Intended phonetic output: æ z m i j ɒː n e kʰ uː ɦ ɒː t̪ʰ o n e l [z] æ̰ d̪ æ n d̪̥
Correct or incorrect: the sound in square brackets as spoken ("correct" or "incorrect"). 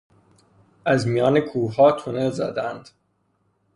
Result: correct